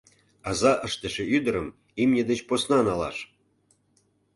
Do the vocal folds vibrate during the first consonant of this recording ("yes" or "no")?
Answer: yes